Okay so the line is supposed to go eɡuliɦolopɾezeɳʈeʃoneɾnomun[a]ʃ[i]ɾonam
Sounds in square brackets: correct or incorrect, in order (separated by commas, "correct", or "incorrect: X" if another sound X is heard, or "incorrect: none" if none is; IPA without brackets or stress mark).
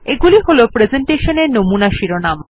correct, correct